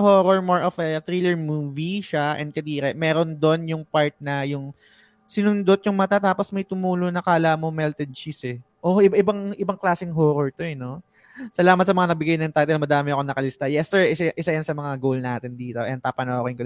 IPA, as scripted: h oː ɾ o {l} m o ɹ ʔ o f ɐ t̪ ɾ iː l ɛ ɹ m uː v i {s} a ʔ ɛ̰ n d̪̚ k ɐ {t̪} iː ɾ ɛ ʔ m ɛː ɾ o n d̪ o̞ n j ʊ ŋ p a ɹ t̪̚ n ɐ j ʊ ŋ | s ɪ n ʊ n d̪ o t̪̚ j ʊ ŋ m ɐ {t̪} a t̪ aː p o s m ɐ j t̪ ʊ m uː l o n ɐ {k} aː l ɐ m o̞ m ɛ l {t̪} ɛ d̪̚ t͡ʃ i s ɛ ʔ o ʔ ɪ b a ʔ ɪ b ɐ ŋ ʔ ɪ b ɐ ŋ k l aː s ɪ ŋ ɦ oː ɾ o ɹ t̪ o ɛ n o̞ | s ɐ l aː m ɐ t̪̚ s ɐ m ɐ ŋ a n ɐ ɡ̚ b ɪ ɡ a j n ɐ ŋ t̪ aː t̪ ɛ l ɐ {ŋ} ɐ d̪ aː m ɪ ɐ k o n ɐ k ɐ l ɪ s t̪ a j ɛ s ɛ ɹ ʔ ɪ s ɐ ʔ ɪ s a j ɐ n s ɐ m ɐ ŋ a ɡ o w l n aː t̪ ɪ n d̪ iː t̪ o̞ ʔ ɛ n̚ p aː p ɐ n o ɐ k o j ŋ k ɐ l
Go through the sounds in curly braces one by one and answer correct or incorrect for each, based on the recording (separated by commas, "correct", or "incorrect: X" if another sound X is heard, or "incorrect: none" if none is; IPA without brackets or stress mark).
incorrect: ɹ, incorrect: ʃ, incorrect: d̪, correct, correct, correct, incorrect: m